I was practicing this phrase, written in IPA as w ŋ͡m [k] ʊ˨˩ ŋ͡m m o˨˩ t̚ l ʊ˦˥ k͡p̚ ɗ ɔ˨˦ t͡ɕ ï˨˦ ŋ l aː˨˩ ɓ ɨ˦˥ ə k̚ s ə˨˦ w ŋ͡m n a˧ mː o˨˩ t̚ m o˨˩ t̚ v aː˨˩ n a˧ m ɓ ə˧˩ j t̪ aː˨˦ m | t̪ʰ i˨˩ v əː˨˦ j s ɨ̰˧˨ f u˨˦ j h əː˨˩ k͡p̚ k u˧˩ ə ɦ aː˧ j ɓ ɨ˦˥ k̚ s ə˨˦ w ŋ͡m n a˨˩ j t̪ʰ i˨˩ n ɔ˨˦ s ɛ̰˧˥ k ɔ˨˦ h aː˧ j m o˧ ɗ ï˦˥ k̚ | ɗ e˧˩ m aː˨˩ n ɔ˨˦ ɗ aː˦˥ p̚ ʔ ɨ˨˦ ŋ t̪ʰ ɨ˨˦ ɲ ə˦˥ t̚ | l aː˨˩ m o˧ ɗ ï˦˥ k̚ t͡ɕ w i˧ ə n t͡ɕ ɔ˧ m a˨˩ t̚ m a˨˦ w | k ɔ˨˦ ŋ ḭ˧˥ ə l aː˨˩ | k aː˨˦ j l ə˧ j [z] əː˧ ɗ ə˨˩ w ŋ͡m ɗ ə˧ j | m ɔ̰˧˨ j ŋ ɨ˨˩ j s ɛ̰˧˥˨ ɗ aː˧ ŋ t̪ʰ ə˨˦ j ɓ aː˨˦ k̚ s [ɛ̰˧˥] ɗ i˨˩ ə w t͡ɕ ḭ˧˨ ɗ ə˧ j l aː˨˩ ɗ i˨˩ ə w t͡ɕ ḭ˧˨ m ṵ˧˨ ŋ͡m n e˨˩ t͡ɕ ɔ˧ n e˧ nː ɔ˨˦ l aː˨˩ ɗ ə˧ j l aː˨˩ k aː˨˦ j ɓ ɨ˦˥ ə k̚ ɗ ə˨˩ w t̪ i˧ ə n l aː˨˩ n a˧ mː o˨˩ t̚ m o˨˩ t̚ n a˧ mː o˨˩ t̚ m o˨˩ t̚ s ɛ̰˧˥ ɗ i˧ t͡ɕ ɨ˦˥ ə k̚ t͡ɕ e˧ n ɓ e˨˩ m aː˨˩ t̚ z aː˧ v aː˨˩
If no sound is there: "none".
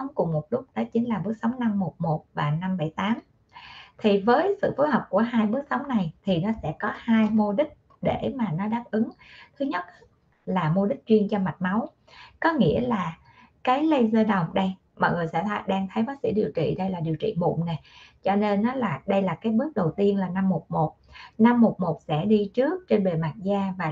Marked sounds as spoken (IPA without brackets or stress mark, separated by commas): k, z, ḭ˧˥